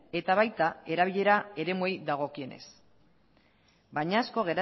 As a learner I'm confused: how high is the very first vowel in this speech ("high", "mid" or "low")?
mid